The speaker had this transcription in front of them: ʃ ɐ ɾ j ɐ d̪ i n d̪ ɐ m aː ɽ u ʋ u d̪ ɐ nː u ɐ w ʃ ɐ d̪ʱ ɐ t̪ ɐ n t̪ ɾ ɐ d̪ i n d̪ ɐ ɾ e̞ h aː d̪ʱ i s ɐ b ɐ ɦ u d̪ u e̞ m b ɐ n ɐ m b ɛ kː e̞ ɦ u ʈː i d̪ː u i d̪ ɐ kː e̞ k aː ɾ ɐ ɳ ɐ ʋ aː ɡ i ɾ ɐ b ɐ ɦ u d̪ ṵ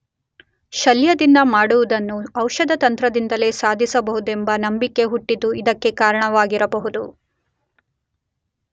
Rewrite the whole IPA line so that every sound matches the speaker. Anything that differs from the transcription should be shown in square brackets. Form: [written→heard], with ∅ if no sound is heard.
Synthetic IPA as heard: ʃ ɐ [ɾ→l] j ɐ d̪ i n d̪ ɐ m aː ɽ u ʋ u d̪ ɐ nː u ɐ w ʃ ɐ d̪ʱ ɐ t̪ ɐ n t̪ ɾ ɐ d̪ i n d̪ ɐ [ɾ→l] e̞ [h→s] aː d̪ʱ i s ɐ b ɐ ɦ u d̪ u e̞ m b ɐ n ɐ m b [ɛ→i] kː e̞ ɦ u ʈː i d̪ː u i d̪ ɐ kː e̞ k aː ɾ ɐ ɳ ɐ ʋ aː ɡ i ɾ ɐ b ɐ ɦ u d̪ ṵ